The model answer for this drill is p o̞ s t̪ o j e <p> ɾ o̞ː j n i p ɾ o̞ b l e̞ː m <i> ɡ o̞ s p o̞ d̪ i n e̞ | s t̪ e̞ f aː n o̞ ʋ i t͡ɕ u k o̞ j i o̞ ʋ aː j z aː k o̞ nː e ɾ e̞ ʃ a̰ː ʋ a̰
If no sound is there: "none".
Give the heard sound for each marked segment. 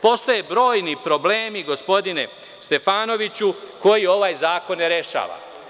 b, i

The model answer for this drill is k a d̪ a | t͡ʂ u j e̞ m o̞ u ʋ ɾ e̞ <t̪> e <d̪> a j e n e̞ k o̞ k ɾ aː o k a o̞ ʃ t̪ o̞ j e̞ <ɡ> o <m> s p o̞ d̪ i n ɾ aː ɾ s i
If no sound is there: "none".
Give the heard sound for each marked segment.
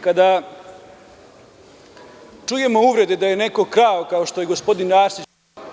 d̪, d̪, ɡ, none

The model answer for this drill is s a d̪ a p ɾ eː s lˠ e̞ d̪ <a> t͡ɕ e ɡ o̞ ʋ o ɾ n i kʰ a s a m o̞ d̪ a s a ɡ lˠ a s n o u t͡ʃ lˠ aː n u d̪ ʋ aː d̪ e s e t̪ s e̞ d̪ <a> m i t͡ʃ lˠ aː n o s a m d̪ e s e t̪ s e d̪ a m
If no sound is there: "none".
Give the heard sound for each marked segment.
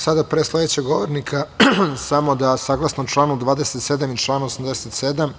e, a

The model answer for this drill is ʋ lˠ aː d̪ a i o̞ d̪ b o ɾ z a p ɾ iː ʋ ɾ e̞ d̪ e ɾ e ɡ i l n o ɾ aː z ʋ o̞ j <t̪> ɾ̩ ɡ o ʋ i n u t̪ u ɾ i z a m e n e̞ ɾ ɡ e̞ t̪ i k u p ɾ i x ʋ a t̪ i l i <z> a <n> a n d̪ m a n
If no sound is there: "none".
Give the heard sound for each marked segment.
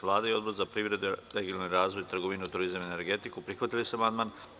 t̪, s, m

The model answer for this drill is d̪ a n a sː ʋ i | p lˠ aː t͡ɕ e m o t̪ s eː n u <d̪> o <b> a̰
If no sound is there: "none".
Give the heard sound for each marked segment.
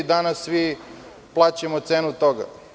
t̪, ɡ

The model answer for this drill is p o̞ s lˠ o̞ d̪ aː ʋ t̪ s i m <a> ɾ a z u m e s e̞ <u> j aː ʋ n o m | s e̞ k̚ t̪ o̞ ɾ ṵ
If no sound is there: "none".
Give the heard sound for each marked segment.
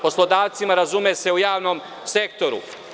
a, u

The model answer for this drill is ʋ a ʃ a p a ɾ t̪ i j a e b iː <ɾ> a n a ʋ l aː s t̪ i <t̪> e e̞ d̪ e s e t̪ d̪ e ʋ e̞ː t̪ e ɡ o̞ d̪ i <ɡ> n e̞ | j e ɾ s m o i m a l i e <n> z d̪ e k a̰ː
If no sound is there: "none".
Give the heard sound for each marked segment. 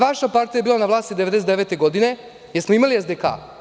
l, d̪, none, none

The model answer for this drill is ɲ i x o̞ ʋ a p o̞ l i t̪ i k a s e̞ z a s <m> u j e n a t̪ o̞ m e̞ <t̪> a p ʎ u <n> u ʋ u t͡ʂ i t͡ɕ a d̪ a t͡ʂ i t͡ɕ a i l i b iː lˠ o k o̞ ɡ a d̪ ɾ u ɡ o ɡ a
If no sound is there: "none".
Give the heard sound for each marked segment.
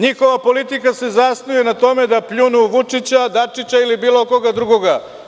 n, d̪, n

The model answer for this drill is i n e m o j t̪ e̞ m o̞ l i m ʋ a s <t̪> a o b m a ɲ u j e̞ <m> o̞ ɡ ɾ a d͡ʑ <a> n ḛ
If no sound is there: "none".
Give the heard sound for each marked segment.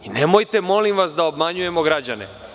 d̪, m, a

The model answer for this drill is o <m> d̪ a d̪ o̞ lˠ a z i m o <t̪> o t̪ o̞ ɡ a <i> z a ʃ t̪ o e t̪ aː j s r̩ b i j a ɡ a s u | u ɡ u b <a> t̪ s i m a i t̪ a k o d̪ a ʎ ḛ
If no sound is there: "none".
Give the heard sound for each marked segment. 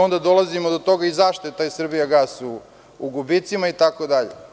n, d̪, i, i

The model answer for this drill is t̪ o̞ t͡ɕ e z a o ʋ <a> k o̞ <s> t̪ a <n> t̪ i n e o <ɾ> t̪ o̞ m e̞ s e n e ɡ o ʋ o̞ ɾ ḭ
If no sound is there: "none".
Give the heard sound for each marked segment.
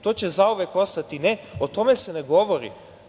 e, s, none, none

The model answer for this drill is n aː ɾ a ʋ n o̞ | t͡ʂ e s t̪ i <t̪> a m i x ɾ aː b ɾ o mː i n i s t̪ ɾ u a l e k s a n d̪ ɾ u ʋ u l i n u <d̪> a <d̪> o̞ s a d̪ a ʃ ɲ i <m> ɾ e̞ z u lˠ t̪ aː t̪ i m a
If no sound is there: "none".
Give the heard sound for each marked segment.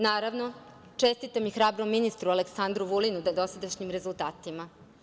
t̪, d̪, d̪, m

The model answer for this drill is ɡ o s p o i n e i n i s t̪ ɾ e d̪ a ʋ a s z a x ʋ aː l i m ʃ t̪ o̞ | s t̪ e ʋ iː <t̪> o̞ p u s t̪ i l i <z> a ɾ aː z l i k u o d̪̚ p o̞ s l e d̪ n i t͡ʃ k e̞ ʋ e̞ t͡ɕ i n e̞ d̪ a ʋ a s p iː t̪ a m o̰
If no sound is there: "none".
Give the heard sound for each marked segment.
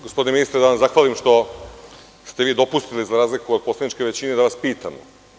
d̪, z

